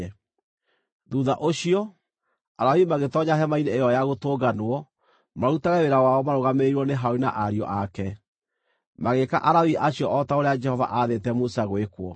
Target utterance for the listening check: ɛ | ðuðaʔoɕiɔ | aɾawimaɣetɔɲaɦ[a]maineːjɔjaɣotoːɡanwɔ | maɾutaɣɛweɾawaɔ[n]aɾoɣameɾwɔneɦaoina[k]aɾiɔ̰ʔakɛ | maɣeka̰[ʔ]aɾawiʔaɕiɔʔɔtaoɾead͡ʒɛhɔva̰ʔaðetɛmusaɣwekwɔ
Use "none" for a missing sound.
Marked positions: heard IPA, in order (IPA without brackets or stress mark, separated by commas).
ɛ, m, ʔ, ʔ